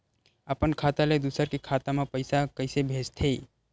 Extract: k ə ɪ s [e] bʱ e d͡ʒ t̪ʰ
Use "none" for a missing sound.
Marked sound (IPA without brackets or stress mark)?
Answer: e